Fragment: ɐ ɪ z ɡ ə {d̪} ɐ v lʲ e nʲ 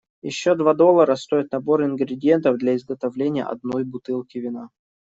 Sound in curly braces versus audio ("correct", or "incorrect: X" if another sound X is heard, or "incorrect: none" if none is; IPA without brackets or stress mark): incorrect: t̪